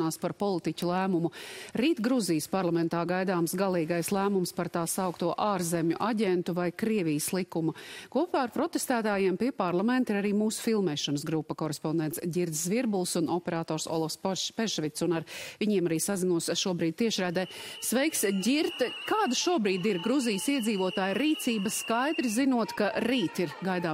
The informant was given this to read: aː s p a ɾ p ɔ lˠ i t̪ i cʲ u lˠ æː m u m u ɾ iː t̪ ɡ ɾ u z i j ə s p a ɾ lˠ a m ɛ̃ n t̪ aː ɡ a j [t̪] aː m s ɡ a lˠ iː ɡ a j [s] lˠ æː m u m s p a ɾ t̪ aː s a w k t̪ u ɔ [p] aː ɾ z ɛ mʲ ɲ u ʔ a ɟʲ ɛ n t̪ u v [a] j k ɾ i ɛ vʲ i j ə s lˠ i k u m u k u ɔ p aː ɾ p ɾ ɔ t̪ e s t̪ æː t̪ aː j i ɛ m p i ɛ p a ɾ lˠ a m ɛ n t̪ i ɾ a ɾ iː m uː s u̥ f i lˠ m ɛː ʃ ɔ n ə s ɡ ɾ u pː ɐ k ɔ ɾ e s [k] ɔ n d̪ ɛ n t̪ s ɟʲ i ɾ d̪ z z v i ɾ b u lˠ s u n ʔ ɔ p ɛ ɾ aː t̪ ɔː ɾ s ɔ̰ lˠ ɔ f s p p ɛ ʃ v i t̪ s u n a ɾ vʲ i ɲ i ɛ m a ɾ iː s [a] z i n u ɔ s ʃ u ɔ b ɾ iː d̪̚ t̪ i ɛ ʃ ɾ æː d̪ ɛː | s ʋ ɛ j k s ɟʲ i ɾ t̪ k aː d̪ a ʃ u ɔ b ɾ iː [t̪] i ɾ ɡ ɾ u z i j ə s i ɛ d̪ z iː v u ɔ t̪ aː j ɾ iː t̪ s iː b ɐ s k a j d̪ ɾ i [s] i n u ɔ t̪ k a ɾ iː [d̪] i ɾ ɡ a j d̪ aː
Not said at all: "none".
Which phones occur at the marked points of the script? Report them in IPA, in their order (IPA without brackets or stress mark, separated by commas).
d̪, s, ʔ, a, p, a, d̪, z, t̪